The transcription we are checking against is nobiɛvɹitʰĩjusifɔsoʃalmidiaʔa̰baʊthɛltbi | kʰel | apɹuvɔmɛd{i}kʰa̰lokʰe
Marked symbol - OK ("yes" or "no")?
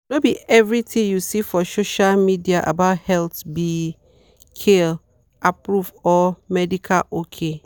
yes